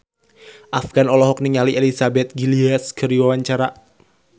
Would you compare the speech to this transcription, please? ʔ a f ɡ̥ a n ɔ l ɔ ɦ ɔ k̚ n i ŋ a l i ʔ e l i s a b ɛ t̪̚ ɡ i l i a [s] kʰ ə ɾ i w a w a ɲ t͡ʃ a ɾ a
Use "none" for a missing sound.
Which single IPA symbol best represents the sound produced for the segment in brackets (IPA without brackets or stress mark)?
s